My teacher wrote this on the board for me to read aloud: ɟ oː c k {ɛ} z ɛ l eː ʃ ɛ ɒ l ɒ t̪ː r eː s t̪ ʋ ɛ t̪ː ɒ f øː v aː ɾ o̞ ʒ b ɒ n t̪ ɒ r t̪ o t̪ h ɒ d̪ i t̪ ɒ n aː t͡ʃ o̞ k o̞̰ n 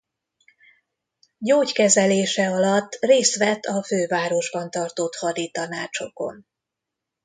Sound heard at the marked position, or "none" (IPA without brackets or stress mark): ɛ